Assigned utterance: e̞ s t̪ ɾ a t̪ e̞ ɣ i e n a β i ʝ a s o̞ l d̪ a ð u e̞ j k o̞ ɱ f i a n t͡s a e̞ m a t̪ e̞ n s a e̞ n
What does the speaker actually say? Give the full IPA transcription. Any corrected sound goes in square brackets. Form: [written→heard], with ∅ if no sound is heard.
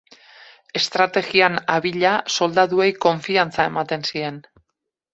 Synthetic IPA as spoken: e̞ s t̪ ɾ a t̪ e̞ ɣ i [e→a] n a β i [ʝ→ʎ] a s o̞ l d̪ a ð u e̞ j k o̞ ɱ f i a n t͡s a e̞ m a t̪ e̞ n s [a→i] e̞ n